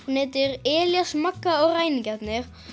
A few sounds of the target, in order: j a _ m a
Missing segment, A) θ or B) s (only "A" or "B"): B